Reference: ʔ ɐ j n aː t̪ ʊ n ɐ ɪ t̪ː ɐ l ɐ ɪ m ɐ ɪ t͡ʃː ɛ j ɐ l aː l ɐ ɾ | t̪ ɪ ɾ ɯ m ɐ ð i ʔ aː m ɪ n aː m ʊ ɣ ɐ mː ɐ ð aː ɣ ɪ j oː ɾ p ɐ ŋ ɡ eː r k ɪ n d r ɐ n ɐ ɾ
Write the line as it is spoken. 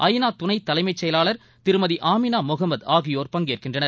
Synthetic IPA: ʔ ɐ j n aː t̪ ʊ n ɐ ɪ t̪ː ɐ l ɐ ɪ m ɐ ɪ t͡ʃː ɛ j ɐ l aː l ɐ ɾ | t̪ ɪ ɾ ɯ m ɐ ð i ʔ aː m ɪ n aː m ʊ ɣ ɐ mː ɐ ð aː ɣ ɪ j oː ɾ p ɐ ŋ ɡ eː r k ɪ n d r ɐ n ɐ ɾ

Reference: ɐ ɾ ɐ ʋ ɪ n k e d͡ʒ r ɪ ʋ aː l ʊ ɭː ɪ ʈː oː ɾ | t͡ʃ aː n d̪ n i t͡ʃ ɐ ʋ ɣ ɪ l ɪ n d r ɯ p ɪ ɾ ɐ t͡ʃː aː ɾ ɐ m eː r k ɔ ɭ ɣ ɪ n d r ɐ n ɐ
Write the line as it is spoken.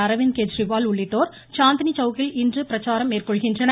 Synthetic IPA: ɐ ɾ ɐ ʋ ɪ n k e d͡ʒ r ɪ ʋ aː l ʊ ɭː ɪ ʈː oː ɾ | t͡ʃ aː n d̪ n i t͡ʃ ɐ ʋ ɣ ɪ l ɪ n d r ɯ p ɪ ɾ ɐ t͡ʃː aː ɾ ɐ m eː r k ɔ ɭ ɣ ɪ n d r ɐ n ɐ

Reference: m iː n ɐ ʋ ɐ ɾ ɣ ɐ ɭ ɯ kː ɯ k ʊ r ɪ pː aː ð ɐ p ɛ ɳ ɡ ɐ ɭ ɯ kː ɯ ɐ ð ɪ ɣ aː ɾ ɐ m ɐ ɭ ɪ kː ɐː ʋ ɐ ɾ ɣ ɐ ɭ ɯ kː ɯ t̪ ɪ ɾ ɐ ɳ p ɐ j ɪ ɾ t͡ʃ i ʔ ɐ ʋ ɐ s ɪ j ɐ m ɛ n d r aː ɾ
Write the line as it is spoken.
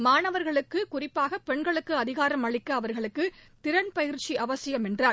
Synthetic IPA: m aː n ɐ ʋ ɐ ɾ ɣ ɐ ɭ ɯ kː ɯ k ʊ r ɪ pː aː ɣ ɐ p ɛ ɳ ɡ ɐ ɭ ɯ kː ɯ ɐ ð ɪ ɣ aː ɾ ɐ m ɐ ɭ ɪ kː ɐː ʋ ɐ ɾ ɣ ɐ ɭ ɯ kː ɯ t̪ ɪ ɾ ɐ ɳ p ɐ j ɪ ɾ t͡ʃ i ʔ ɐ ʋ ɐ s ɪ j ɐ m ɛ n d r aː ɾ

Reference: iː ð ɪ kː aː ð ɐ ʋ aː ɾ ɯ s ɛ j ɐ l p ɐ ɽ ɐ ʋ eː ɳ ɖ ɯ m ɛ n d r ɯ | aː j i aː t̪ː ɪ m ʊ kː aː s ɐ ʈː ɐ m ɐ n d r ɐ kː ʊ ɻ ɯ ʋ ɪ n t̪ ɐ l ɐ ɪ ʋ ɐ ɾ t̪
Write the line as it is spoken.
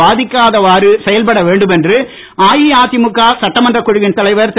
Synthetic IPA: aː ð ɪ kː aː ð ɐ ʋ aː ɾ ɯ s ɛ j ɐ l p ɐ ɽ ɐ ʋ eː ɳ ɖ ɯ m ɛ n d r ɯ | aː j i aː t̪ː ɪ m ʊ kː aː s ɐ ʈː ɐ m ɐ n d r ɐ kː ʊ ɻ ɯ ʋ ɪ n t̪ ɐ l ɐ ɪ ʋ ɐ ɾ t̪

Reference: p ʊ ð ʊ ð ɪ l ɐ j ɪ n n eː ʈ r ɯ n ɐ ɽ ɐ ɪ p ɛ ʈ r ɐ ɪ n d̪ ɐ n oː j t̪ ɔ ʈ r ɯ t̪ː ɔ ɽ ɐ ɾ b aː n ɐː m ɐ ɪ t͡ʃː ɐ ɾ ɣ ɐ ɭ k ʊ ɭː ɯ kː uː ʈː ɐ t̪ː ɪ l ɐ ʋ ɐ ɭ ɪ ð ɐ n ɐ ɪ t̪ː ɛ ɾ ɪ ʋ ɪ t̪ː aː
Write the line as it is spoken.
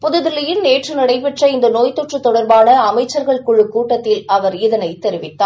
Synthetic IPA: p ʊ ð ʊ ð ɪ l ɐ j ɪ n n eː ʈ r ɯ n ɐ ɽ ɐ ɪ p ɛ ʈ r ɐ ɪ n d̪ ɐ n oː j t̪ ɔ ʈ r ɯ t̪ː ɔ ɽ ɐ ɾ b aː n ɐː m ɐ ɪ t͡ʃː ɐ ɾ ɣ ɐ ɭ k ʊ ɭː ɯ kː uː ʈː ɐ t̪ː ɪ l ɐ ʋ ɐ ɾ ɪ ð ɐ n ɐ ɪ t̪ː ɛ ɾ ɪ ʋ ɪ t̪ː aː

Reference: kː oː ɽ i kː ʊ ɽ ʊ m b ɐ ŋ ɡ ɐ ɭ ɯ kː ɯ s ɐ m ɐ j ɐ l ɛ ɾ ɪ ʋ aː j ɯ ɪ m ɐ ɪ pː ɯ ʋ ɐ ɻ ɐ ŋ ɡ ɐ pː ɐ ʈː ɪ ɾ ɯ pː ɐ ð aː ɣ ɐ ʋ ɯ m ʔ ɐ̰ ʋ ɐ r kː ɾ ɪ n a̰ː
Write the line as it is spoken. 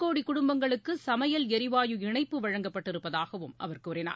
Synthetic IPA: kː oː ɽ i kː ʊ ɽ ʊ m b ɐ ŋ ɡ ɐ ɭ ɯ kː ɯ s ɐ m ɐ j ɐ l ɛ ɾ ɪ ʋ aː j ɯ ɪ ɳ ɐ ɪ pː ɯ ʋ ɐ ɻ ɐ ŋ ɡ ɐ pː ɐ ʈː ɪ ɾ ɯ pː ɐ ð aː ɣ ɐ ʋ ɯ m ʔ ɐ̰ ʋ ɐ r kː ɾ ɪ n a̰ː

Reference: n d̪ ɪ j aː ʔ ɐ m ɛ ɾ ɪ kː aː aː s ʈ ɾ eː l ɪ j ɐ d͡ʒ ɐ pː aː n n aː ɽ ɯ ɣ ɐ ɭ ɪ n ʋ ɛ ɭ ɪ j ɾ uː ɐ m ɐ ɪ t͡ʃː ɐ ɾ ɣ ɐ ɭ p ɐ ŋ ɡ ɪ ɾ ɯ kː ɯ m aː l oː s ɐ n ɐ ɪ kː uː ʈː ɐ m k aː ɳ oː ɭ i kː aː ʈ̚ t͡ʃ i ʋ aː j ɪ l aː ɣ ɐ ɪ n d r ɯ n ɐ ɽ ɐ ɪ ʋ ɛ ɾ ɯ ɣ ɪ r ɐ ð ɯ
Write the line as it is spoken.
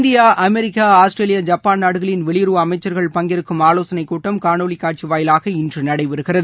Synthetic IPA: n d̪ ɪ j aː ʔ ɐ m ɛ ɾ ɪ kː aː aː s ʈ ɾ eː l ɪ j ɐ d͡ʒ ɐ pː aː n n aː ɽ ɯ ɣ ɐ ɭ ɪ n ʋ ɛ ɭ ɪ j ɾ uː ɐ m ɐ ɪ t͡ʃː ɐ ɾ ɣ ɐ ɭ p ɐ ŋ ɡ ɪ ɾ ɯ kː ɯ m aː l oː s ɐ n ɐ ɪ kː uː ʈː ɐ m k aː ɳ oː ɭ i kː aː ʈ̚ t͡ʃ i ʋ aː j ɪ l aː ɣ ɐ ɪ n d r ɯ n ɐ ɽ ɐ ɪ ʋ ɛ ɾ ɯ ɣ ɪ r ɐ ð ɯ

